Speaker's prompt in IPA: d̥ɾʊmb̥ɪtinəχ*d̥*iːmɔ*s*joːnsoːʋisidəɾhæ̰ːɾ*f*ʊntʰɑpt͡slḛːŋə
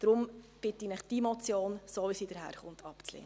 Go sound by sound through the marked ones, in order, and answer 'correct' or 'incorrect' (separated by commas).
correct, incorrect, incorrect